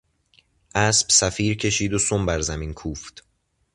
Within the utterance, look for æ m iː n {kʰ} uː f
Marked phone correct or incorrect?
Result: correct